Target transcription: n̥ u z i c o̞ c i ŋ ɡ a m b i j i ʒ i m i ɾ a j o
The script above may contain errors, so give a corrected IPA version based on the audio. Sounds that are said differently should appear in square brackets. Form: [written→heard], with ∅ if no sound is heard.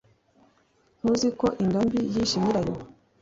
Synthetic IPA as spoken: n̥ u z i [c→k] o̞ [c→ʔ] i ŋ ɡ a m b i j i [ʒ→ʃ] i m i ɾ a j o